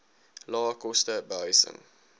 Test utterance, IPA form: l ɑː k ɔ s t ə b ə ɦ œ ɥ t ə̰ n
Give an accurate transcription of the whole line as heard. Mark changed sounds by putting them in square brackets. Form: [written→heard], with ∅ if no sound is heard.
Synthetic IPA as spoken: l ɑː k ɔ s t ə b ə ɦ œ ɥ [t→s] ə̰ [n→ŋ]